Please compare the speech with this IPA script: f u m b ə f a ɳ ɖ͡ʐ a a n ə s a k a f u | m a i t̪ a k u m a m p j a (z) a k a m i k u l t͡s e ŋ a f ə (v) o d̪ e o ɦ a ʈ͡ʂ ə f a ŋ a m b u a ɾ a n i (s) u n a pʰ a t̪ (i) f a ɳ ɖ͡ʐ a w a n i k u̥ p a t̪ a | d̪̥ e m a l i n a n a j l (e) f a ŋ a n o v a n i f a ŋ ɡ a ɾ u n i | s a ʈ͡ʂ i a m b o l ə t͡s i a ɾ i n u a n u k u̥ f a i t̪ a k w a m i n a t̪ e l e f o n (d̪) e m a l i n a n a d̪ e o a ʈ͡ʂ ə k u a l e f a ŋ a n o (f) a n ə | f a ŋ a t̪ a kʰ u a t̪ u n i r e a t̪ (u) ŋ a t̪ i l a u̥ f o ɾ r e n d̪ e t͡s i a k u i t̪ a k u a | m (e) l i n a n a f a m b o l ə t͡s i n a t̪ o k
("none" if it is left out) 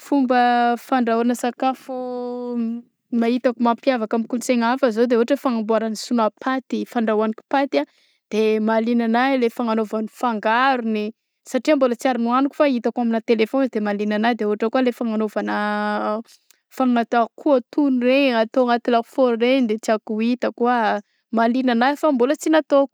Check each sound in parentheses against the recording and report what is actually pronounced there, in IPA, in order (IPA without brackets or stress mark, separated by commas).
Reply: v, z, s, i, e, d̪, v, o, a